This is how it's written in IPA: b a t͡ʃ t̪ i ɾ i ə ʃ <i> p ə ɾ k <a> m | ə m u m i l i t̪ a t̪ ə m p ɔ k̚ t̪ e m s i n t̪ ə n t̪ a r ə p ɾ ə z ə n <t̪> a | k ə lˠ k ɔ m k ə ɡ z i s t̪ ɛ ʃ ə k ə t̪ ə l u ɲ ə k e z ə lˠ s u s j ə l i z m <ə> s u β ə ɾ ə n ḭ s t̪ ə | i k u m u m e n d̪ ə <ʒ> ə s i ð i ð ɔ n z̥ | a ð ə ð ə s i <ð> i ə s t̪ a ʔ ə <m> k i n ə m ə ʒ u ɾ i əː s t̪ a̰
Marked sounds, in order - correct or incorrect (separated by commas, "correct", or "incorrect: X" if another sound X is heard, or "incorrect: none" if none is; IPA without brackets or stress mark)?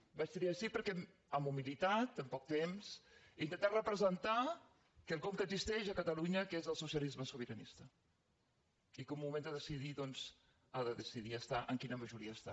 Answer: correct, incorrect: ɛ, correct, correct, incorrect: ð, correct, incorrect: ŋ